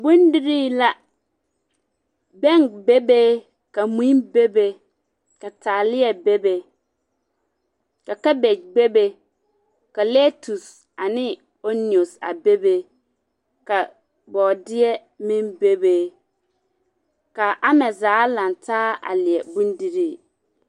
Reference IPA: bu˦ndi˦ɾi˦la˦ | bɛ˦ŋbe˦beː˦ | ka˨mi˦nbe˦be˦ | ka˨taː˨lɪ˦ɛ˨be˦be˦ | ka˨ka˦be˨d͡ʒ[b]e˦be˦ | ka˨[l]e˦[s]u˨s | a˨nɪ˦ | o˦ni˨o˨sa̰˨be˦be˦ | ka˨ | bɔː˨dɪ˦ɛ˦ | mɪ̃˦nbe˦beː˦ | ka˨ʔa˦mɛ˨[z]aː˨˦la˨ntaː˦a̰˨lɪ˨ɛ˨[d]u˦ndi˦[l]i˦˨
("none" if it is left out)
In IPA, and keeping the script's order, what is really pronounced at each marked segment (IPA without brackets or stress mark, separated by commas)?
b, l, t, z, b, ɾ